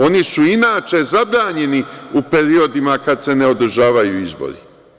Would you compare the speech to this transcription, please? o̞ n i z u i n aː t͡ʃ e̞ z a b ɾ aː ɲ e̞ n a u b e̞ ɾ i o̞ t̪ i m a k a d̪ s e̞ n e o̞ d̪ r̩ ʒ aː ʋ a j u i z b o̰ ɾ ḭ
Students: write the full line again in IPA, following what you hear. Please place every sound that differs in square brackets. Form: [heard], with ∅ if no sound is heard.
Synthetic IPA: o̞ n i [s] u i n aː t͡ʃ e̞ z a b ɾ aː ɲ e̞ n [i] u [p] e̞ ɾ i o̞ [d̪] i m a k a d̪ s e̞ n e o̞ d̪ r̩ ʒ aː ʋ a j u i z b o̰ ɾ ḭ